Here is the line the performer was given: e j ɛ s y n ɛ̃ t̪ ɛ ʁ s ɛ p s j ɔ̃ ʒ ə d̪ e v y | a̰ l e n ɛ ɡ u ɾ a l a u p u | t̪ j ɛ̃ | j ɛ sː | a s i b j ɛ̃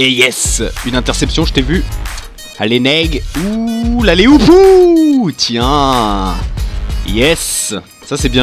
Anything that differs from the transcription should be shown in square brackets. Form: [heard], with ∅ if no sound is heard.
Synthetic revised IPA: e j ɛ s y n ɛ̃ t̪ ɛ ʁ s ɛ p s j ɔ̃ ʒ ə [t̪] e v y | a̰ l e n ɛ ɡ u [l] a l [e] u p u | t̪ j ɛ̃ | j ɛ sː | a s [ɛ] b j ɛ̃